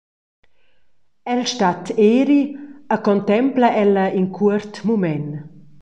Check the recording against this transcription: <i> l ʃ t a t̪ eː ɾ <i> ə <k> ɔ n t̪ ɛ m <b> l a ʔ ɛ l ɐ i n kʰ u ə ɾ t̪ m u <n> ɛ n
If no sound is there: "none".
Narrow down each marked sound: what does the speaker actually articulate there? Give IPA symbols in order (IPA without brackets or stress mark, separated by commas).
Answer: ɛ, i, k, p, m